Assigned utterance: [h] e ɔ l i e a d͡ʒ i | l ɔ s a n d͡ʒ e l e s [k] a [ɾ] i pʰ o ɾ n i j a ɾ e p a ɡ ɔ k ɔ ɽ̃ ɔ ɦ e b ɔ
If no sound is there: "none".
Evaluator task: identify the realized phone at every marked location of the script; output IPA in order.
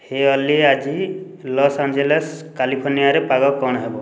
h, k, l

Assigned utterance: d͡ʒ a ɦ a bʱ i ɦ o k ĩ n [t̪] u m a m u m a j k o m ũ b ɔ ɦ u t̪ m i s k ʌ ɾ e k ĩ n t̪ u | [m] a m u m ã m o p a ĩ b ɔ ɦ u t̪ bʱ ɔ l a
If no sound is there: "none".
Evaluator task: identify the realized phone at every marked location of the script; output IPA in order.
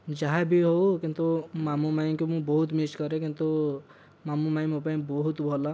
t̪, m

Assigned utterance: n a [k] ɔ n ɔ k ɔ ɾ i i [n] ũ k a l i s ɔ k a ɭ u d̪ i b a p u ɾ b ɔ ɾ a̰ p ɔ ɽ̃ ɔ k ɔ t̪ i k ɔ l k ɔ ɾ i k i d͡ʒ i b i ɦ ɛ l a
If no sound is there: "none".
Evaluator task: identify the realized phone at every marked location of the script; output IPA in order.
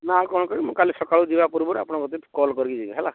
k, m

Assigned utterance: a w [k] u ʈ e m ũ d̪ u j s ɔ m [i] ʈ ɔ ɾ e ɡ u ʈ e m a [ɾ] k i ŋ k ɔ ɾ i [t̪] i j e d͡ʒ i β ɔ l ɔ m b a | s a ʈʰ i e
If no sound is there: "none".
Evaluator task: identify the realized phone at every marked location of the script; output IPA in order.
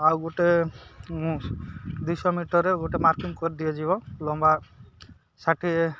ɡ, i, ɾ, d̪

